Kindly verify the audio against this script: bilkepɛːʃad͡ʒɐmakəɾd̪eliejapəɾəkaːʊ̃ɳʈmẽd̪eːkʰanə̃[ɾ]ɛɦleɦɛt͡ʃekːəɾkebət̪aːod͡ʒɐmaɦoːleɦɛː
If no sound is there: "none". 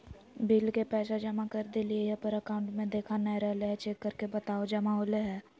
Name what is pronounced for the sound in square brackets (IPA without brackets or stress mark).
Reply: ɾ